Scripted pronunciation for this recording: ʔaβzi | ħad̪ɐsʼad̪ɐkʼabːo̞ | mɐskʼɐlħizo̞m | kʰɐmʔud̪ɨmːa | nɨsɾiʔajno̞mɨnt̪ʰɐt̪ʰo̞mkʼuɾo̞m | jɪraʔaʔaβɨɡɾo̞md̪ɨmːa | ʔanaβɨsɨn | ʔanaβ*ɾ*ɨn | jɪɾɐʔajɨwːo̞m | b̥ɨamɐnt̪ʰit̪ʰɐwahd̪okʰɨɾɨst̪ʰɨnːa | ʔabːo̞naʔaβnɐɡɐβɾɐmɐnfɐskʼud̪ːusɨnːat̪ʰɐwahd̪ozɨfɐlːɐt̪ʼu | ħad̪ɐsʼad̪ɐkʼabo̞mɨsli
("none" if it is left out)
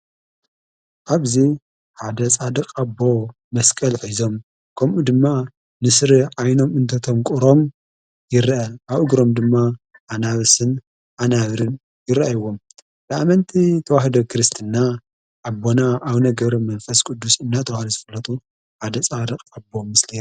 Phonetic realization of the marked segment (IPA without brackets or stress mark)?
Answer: ɾ